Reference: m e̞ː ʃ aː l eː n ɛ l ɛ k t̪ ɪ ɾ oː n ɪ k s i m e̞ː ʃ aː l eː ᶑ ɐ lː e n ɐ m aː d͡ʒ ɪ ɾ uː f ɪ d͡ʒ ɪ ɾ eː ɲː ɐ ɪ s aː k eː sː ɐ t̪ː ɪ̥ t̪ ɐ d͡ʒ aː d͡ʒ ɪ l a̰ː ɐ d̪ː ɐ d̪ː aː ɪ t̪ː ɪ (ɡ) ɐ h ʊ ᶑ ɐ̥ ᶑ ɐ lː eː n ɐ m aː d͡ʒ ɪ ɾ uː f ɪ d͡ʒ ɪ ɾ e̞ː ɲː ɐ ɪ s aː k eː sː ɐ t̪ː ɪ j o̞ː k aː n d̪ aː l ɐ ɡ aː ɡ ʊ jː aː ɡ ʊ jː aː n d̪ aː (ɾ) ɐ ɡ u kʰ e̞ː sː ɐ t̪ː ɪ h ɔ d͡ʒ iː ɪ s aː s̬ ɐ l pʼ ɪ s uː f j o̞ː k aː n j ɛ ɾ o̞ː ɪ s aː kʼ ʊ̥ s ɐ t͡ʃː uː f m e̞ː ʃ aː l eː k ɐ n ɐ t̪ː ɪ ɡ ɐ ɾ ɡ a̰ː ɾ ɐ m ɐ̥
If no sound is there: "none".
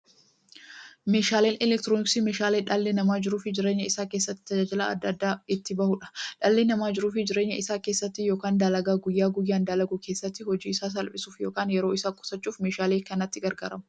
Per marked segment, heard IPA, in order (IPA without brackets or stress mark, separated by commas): b, l